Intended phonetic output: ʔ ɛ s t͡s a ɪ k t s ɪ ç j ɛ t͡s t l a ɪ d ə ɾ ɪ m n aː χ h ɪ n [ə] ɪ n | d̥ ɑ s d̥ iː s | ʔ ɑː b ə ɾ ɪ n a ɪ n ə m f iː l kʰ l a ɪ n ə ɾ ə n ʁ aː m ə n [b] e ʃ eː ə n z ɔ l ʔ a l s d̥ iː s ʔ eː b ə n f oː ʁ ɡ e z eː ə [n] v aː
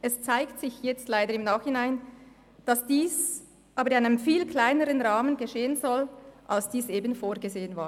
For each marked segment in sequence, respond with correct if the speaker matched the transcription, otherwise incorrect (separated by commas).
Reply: incorrect, incorrect, correct